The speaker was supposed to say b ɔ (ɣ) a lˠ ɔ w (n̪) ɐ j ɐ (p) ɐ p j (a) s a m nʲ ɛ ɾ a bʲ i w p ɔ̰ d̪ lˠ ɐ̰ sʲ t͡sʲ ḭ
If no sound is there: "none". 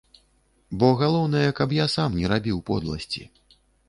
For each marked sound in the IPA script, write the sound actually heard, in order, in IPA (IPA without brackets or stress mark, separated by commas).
ɣ, n̪, k, a